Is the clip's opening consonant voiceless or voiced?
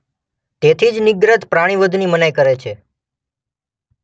voiceless